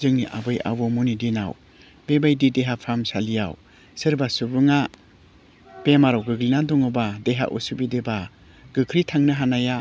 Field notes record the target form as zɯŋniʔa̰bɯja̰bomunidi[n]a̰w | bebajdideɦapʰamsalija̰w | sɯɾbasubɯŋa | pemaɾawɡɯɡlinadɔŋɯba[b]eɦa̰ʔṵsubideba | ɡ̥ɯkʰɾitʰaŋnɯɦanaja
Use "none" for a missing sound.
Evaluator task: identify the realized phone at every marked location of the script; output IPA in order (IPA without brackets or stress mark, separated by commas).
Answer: n, d